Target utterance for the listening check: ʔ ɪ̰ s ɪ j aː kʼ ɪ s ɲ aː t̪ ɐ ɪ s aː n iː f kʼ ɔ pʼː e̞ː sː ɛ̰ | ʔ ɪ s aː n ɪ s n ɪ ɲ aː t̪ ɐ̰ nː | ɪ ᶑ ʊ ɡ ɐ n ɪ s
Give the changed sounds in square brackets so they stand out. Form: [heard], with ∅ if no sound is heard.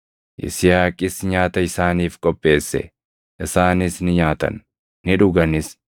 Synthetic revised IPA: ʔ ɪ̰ s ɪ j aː kʼ ɪ s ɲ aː t̪ ɐ ɪ s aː n iː f kʼ ɔ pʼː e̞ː sː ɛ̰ | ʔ ɪ s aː n ɪ s n ɪ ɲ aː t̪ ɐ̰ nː | ɪ ᶑ ʊ ɡ ɐ n ɪ s